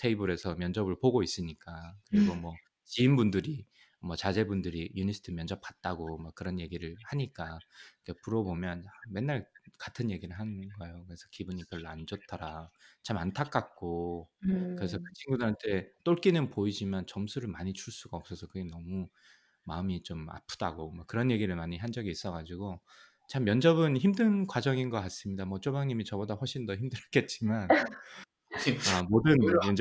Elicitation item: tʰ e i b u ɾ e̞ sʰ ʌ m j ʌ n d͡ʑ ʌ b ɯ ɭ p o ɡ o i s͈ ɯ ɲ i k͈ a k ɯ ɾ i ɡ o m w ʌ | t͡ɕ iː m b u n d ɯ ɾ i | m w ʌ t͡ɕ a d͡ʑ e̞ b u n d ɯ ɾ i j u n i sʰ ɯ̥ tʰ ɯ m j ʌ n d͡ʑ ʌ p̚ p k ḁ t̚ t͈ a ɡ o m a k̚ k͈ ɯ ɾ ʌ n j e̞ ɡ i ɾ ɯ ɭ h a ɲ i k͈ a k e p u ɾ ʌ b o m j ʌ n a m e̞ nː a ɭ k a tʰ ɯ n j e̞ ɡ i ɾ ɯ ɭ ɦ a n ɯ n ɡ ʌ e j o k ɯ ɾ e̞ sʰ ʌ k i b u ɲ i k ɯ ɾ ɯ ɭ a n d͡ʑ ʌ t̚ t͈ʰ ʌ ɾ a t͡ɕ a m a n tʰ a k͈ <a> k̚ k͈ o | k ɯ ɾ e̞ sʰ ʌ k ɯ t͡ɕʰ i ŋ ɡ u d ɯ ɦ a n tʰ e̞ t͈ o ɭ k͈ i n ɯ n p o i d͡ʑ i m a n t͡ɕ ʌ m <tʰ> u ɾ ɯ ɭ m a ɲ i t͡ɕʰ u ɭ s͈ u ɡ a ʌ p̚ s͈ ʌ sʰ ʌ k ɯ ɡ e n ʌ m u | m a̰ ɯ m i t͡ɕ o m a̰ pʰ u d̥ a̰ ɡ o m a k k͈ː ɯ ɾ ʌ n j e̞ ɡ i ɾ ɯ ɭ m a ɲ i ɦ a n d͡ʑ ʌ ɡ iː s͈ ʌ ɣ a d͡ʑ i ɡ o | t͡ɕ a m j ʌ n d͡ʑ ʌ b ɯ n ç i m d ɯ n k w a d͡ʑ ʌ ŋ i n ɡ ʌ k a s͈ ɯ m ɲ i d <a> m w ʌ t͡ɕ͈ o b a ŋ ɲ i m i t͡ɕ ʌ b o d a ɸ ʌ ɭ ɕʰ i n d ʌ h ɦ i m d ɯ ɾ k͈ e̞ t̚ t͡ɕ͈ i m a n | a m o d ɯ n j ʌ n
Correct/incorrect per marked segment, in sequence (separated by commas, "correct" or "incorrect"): correct, incorrect, correct